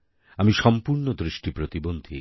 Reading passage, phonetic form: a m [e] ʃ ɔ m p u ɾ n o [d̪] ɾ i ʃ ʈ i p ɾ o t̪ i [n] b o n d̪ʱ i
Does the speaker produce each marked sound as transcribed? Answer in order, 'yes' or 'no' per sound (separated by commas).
no, yes, no